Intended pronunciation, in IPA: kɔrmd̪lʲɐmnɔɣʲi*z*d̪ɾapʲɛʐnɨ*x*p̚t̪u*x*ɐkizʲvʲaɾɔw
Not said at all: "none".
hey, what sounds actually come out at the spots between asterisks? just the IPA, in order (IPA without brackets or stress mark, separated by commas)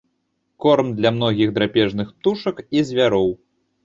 ɣ, x, ʂ